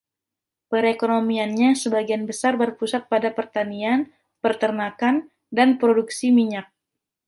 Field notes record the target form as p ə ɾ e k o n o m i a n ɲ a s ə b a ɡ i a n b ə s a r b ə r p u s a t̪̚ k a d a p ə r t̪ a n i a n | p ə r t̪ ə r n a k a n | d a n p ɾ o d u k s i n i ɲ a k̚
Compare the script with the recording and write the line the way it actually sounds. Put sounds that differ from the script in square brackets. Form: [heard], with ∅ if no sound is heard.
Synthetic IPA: p ə ɾ e k o n o m i a n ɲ a s ə b a ɡ i a n b ə s a r b ə r p u s a t̪̚ [p] a d a p ə r t̪ a n i a n | p ə r t̪ ə r n a k a n | d a n p ɾ o d u k s i [m] i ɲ a k̚